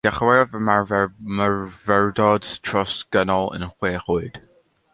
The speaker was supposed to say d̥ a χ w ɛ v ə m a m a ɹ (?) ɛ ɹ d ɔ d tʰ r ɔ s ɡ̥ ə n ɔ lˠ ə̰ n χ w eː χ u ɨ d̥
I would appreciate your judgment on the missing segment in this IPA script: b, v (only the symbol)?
v